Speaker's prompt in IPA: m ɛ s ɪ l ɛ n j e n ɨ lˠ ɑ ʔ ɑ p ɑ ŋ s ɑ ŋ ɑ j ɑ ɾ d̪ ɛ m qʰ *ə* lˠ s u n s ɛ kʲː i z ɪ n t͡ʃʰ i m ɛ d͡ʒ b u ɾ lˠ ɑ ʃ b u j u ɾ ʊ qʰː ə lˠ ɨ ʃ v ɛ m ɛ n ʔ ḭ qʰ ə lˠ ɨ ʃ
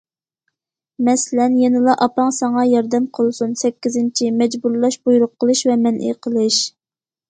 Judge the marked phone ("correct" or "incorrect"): correct